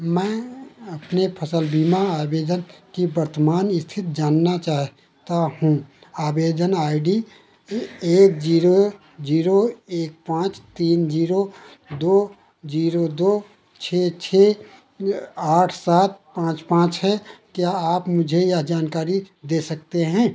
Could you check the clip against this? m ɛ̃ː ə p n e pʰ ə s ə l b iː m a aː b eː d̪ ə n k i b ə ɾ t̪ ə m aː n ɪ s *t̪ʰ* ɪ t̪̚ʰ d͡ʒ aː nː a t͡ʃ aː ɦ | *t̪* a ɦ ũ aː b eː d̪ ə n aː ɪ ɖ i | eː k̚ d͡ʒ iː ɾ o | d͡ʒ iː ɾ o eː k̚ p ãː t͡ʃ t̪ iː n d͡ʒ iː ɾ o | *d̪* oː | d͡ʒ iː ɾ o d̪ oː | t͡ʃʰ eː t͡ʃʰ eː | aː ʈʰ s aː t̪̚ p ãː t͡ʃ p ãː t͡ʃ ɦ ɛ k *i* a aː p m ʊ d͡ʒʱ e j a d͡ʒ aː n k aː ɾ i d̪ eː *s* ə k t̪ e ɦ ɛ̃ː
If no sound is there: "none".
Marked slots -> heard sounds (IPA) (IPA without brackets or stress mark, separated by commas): t̪ʰ, t̪, d̪, j, s